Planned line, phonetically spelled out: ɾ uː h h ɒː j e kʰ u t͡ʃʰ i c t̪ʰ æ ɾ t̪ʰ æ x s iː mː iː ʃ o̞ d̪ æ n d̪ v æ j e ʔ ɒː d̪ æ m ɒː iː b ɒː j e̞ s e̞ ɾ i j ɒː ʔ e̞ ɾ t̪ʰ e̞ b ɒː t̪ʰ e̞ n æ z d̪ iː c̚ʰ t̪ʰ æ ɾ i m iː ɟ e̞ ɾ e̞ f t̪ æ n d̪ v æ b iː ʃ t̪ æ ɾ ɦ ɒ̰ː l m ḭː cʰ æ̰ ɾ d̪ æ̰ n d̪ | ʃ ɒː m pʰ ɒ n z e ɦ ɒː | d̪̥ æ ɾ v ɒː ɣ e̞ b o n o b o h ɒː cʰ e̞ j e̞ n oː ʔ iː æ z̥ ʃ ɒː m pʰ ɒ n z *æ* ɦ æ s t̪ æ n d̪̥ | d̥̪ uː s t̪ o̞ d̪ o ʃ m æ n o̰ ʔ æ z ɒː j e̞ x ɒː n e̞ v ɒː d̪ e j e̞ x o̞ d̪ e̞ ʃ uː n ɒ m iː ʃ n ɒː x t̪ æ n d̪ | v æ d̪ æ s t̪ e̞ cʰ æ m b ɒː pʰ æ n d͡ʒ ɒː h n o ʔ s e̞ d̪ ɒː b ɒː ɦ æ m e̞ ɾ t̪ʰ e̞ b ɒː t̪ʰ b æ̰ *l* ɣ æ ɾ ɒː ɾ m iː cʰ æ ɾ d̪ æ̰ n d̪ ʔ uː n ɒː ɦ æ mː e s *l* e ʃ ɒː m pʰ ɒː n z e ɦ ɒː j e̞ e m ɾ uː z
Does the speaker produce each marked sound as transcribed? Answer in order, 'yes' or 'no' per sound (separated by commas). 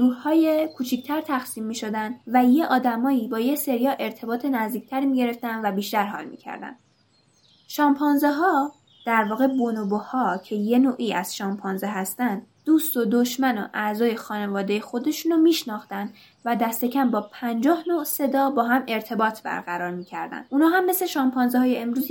no, no, yes